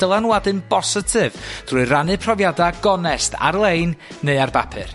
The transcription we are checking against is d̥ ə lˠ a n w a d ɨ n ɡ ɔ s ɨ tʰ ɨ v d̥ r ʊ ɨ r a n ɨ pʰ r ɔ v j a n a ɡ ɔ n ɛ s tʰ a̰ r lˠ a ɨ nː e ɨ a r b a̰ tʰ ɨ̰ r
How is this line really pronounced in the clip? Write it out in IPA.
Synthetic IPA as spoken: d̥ ə lˠ a n w a d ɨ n b ɔ s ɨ tʰ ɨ v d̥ r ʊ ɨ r a n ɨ pʰ r ɔ v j a d a ɡ ɔ n ɛ s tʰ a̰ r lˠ e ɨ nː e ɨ a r b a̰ pʰ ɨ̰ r